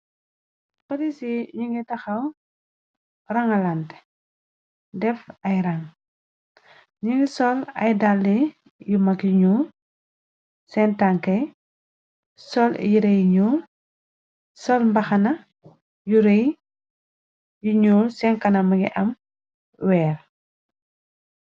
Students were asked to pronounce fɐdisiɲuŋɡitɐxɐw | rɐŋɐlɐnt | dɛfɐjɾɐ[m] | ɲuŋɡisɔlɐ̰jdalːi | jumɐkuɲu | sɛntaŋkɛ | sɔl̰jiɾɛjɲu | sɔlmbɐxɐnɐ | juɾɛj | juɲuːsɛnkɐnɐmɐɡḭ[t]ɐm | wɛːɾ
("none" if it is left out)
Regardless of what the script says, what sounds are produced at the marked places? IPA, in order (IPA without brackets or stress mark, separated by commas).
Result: ŋ, ʔ